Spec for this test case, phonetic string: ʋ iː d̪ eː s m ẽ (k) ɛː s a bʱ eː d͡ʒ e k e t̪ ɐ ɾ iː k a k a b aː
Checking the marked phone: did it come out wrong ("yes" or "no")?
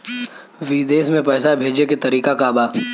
yes